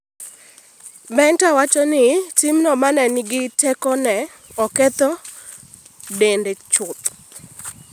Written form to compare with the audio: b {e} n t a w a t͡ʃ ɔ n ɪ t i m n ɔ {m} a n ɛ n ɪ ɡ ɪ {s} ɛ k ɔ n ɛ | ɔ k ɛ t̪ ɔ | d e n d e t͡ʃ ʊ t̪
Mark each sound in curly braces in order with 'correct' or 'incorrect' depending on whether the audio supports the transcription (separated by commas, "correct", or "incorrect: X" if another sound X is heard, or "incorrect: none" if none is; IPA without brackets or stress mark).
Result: incorrect: ɛ, correct, incorrect: t